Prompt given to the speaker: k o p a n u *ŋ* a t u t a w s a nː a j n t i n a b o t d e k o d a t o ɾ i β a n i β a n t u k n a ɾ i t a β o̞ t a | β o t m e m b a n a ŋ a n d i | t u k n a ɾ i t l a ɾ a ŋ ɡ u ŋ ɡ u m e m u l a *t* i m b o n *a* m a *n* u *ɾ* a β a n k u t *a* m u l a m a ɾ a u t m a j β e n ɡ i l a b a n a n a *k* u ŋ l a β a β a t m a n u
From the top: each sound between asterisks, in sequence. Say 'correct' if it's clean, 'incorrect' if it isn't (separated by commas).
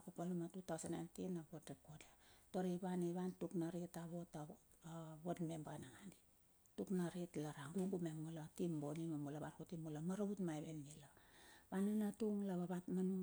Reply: incorrect, correct, incorrect, incorrect, incorrect, incorrect, incorrect